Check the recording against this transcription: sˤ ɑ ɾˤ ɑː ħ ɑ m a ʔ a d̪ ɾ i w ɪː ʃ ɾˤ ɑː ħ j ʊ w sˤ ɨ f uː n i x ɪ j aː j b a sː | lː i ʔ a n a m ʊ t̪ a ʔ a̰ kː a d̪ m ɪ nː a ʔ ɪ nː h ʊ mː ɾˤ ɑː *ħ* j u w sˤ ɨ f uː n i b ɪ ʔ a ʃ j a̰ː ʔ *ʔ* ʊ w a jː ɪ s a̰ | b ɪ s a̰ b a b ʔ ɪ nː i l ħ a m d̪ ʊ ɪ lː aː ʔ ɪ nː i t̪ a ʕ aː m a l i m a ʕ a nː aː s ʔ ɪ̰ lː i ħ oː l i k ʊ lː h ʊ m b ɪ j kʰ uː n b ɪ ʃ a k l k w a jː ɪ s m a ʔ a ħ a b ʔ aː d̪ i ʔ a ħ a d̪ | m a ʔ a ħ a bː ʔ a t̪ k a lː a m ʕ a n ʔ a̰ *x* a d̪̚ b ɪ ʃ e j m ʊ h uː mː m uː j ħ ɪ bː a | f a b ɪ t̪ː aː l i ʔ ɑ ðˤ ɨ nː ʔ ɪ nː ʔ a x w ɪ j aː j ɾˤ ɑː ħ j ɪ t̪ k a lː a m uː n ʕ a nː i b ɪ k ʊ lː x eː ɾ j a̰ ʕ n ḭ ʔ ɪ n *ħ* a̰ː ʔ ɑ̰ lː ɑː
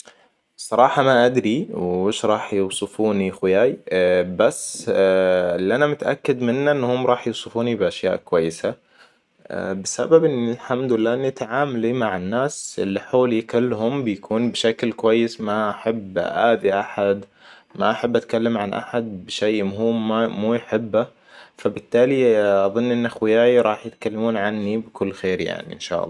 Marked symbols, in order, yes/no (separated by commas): yes, no, no, no